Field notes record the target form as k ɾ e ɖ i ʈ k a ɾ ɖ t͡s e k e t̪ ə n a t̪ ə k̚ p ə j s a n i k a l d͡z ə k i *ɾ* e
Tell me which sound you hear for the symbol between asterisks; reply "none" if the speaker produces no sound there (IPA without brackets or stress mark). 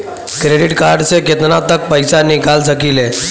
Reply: l